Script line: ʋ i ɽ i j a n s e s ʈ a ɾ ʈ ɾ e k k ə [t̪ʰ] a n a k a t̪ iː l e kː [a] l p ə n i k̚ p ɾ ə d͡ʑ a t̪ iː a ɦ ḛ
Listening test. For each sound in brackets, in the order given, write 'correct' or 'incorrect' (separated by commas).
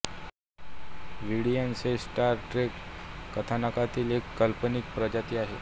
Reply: correct, incorrect